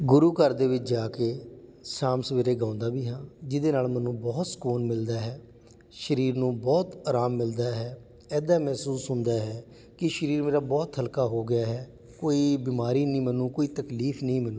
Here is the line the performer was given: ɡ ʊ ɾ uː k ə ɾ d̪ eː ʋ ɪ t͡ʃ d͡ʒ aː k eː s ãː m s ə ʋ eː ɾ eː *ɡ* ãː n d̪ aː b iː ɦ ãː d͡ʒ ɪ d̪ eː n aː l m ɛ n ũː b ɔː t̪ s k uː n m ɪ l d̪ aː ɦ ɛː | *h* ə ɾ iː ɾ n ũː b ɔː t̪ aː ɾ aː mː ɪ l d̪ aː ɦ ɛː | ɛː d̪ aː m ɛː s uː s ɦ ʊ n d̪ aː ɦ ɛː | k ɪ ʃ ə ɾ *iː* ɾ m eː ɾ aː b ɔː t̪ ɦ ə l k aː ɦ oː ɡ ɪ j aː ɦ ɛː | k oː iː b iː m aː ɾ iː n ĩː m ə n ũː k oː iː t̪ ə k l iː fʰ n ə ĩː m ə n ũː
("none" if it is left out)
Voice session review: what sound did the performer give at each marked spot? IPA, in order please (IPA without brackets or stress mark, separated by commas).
ɡ, ʃ, iː